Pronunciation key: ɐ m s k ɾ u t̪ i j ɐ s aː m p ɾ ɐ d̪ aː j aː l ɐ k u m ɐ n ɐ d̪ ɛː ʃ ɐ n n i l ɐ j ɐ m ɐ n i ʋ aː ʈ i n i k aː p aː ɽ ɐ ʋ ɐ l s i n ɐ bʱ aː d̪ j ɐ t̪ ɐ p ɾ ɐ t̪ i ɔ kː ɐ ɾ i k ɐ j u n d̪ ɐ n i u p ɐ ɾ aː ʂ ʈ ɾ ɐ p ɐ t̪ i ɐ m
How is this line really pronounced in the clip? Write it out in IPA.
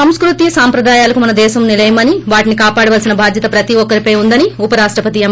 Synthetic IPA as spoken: ɐ m s k ɾ u t̪ i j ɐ s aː m p ɾ ɐ d̪ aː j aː l ɐ k u m ɐ n ɐ d̪ ɛː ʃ ɐ m n i l ɐ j ɐ m ɐ n i ʋ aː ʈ i n i k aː p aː ɽ ɐ ʋ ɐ l s i n ɐ bʱ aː d̪ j ɐ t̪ ɐ p ɾ ɐ t̪ i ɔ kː ɐ ɾ i p ɐ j u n d̪ ɐ n i u p ɐ ɾ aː ʂ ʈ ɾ ɐ p ɐ t̪ i ɐ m

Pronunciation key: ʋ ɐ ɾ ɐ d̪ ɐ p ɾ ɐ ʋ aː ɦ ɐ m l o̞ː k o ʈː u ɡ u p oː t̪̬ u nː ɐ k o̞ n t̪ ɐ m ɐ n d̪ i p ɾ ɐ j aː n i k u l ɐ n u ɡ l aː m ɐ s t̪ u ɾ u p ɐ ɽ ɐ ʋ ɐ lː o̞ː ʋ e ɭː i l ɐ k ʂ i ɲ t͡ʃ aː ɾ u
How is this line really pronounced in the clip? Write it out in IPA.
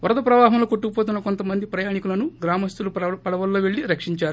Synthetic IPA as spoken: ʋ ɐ ɾ ɐ d̪ ɐ p ɾ ɐ ʋ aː ɦ ɐ m l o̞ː k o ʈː u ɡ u p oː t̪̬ u nː ɐ k o̞ n t̪ ɐ m ɐ n d̪ i p ɾ ɐ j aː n i k u l ɐ n u ɡ ɾ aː m ɐ s t̪ u l u p ɐ ɽ ɐ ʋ ɐ lː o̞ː ʋ e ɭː i ɾ ɐ k ʂ i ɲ t͡ʃ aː ɾ u

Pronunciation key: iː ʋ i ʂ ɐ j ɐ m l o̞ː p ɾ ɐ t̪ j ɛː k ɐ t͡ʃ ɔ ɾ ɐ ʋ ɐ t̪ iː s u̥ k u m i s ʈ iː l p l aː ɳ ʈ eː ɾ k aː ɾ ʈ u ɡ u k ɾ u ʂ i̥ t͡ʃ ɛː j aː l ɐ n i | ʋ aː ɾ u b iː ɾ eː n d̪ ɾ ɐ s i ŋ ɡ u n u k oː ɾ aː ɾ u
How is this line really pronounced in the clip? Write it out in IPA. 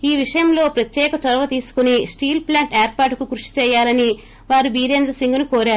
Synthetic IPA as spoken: iː ʋ i ʂ ɐ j ɐ m l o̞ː p ɾ ɐ t̪ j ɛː k ɐ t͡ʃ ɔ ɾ ɐ ʋ ɐ t̪ iː s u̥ k u n i s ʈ iː l p l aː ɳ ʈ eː ɾ p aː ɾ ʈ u k u k ɾ u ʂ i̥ t͡ʃ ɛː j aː l ɐ n i | ʋ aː ɾ u b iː ɾ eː n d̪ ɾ ɐ s i ŋ ɡ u n u k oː ɾ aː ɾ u

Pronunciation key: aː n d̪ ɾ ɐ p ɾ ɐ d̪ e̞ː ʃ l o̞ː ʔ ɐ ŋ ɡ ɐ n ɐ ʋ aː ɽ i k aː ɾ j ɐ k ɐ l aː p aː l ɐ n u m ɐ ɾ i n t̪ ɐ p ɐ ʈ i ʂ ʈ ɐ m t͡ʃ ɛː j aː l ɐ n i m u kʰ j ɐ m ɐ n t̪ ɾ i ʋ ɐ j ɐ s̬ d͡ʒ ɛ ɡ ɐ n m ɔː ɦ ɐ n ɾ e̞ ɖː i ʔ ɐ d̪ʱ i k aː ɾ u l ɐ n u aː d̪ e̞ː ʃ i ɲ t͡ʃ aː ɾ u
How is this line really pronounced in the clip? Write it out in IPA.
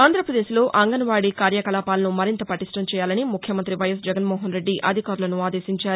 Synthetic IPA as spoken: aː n d̪ ɾ ɐ p ɾ ɐ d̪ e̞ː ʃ l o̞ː ʔ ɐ ŋ ɡ ɐ n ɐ ʋ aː ɽ i k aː ɾ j ɐ k ɐ l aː p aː l ɐ n u m ɐ ɾ i n t̪ ɐ p ɐ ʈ i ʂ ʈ ɐ m t͡ʃ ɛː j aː l ɐ n i m u kʰ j ɐ m ɐ n t̪ ɾ i ʋ ɐ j ɐ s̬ d͡ʒ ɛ ɡ ɐ n m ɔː ɦ ɐ n ɾ e̞ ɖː i ʔ ɐ d̪ʱ i k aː ɾ u l ɐ n u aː d̪ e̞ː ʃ i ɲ t͡ʃ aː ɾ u

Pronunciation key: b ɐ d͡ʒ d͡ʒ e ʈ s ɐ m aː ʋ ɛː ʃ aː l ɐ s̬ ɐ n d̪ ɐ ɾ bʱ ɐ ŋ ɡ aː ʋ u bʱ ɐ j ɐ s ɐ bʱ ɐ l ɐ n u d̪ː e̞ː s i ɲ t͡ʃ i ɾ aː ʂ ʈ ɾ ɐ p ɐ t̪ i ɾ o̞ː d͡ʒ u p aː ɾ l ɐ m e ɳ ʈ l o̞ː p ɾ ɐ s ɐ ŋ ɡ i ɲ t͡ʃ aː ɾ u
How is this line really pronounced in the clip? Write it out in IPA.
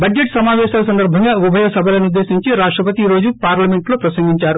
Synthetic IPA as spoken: b ɐ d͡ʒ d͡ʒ e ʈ s ɐ m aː ʋ ɛː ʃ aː l ɐ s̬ ɐ n d̪ ɐ ɾ bʱ ɐ ŋ ɡ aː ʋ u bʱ ɐ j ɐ s ɐ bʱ ɐ l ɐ n u d̪ː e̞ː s i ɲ t͡ʃ i ɾ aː ʂ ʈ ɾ ɐ p ɐ t̪ i ɾ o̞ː d͡ʒ u p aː ɾ l ɐ m e ɳ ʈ l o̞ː p ɾ ɐ s ɐ ŋ ɡ i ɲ t͡ʃ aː ɾ u

